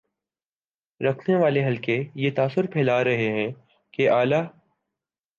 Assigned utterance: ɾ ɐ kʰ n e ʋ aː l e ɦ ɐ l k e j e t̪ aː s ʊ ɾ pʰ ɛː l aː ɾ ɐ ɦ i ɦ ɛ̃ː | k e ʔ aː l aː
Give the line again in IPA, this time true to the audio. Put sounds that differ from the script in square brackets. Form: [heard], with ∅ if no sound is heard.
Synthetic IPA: ɾ ɐ kʰ n e ʋ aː l e ɦ ɐ l k e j e t̪ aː s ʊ ɾ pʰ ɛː l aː ɾ ɐ ɦ [e] ɦ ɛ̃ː | k e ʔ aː l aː